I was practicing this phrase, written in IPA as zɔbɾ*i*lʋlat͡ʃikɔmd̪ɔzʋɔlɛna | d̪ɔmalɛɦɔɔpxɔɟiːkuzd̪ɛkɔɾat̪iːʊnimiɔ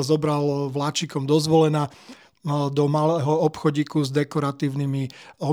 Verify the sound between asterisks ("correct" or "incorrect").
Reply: incorrect